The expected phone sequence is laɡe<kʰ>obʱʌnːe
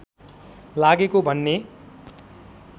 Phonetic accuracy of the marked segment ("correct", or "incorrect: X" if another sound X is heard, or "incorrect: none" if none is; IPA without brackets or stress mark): incorrect: k